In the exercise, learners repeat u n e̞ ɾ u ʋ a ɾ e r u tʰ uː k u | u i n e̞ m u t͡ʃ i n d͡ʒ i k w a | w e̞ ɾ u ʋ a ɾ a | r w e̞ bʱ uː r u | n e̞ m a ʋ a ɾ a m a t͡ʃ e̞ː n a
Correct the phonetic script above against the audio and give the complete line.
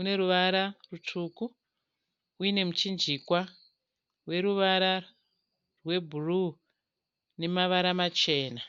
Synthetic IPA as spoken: u n e̞ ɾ u ʋ a ɾ a r u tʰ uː k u | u i n e̞ m u t͡ʃ i n d͡ʒ i k w a | w e̞ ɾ u ʋ a ɾ a | r w e̞ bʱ u r u | n e̞ m a ʋ a ɾ a m a t͡ʃ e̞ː n a